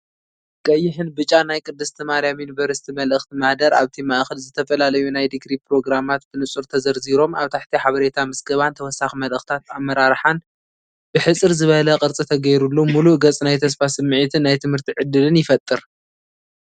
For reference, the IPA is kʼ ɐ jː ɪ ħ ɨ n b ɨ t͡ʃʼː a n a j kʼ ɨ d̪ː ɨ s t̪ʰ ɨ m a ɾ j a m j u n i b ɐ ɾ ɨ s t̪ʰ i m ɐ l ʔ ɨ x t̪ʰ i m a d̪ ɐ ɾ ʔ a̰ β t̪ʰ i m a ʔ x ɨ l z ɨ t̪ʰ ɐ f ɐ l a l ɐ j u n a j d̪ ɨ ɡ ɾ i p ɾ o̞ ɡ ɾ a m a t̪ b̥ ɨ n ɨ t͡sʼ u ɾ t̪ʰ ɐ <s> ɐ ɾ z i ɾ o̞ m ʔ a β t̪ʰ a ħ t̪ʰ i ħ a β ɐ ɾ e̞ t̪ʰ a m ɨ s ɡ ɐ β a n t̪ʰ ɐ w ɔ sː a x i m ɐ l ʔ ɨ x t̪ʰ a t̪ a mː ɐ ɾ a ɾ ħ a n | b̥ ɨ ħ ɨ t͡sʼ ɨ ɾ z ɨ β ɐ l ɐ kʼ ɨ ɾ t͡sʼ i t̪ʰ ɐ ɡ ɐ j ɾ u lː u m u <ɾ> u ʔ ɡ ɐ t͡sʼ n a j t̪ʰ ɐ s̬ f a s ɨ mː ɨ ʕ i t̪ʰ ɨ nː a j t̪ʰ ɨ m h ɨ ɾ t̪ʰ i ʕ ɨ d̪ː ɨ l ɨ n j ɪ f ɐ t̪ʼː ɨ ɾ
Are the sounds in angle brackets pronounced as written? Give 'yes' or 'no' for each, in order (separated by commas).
no, no